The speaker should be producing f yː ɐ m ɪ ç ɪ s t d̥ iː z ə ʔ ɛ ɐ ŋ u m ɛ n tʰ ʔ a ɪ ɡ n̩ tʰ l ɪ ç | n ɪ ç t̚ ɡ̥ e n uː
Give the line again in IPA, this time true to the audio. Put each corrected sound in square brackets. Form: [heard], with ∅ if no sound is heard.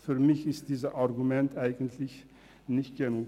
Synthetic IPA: f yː ɐ m ɪ ç ɪ s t d̥ iː z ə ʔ [a] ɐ [ɡ] u m ɛ n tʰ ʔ a ɪ ɡ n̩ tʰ l ɪ ç | n ɪ ç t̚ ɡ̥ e n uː